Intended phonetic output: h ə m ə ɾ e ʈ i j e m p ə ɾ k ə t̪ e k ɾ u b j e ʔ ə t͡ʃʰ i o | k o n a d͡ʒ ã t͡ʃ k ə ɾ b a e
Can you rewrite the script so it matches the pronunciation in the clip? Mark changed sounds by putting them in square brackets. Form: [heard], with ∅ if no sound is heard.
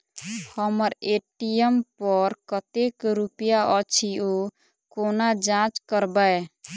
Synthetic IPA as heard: h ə m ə ɾ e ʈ i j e m p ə ɾ k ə t̪ e k ɾ u [p] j [a] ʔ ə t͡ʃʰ i o | k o n a d͡ʒ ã t͡ʃ k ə ɾ b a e